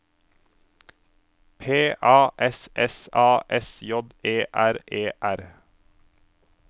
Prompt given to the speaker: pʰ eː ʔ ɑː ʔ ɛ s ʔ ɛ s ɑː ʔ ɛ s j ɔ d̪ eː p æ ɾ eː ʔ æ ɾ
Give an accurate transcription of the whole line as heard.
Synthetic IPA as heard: pʰ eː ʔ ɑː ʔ ɛ s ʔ ɛ s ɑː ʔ ɛ s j ɔ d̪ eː ʔ æ ɾ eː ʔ æ ɾ